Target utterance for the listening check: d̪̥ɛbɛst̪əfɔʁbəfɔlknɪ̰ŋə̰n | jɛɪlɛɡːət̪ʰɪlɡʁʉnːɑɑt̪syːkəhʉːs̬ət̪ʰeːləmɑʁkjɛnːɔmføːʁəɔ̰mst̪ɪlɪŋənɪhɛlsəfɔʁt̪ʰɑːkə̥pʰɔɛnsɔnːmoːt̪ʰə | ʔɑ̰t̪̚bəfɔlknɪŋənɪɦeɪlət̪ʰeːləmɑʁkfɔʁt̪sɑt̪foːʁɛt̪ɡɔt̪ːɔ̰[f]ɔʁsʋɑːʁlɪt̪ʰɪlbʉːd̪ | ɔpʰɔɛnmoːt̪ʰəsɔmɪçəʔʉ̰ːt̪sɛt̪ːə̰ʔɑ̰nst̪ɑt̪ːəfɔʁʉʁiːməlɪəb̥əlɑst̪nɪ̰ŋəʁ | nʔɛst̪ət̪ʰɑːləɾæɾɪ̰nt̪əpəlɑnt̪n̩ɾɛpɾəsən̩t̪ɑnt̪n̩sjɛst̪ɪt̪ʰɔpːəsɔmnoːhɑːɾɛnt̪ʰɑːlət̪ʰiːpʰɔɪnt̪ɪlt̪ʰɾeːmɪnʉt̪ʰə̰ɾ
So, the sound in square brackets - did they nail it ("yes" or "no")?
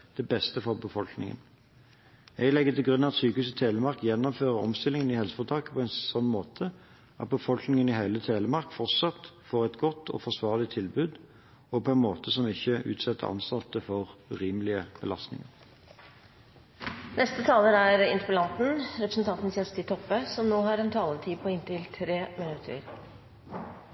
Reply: yes